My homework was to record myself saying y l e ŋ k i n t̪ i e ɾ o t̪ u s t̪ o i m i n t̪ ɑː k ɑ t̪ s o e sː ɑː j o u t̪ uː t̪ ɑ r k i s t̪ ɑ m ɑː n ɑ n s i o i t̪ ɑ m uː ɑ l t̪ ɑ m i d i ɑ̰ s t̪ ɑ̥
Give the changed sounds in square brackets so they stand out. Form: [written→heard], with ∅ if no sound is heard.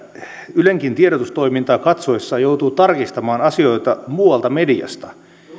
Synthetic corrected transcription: y l e ŋ k i n t̪ i e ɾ o t̪ u s t̪ o i m i n t̪ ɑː k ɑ t̪ s o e sː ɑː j o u t̪ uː t̪ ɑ r k i s t̪ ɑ m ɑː n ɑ [n→∅] s i o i t̪ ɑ m uː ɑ l t̪ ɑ m [i→e] d i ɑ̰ s t̪ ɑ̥